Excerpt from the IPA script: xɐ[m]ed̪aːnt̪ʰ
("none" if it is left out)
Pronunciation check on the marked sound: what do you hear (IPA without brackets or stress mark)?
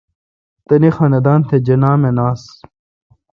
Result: n